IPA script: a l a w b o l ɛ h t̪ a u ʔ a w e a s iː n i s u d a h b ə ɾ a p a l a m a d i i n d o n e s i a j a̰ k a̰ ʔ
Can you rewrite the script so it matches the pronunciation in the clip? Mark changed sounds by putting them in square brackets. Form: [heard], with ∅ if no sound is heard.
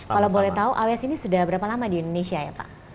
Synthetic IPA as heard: a l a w b o l ɛ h t̪ a u ʔ a w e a s [i] n i s u d a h b ə ɾ a p a l a m a d i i n d o n e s i a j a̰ [p] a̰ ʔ